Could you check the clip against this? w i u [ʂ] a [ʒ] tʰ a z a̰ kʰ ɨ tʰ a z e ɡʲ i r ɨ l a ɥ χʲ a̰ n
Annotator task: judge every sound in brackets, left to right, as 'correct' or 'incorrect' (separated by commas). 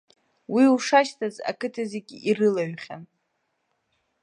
correct, incorrect